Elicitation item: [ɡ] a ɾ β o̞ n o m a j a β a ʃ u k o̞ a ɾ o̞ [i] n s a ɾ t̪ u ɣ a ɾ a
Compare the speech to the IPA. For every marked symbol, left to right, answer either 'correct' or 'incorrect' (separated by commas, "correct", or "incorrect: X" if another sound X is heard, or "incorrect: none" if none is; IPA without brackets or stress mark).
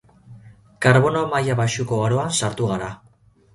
incorrect: k, incorrect: a